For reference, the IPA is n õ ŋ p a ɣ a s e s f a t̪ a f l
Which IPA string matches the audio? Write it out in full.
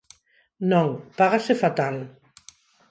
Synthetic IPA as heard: n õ ŋ p a ɣ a s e f a t̪ a l